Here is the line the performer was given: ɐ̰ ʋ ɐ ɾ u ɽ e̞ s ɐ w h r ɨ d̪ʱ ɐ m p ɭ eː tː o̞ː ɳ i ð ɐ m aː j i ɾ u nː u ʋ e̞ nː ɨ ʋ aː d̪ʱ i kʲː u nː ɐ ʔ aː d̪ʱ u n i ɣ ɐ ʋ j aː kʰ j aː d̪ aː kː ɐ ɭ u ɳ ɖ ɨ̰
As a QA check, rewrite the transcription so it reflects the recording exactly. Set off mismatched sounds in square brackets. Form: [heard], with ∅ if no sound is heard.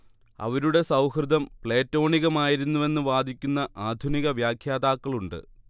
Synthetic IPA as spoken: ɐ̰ ʋ ɐ ɾ u ɽ e̞ s ɐ w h r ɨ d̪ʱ ɐ m p ɭ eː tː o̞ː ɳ i [ɣ] ɐ m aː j i ɾ u nː u ʋ e̞ nː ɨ ʋ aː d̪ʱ i kʲː u nː ɐ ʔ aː d̪ʱ u n i ɣ ɐ ʋ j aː kʰ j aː d̪ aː kː ɐ ɭ u ɳ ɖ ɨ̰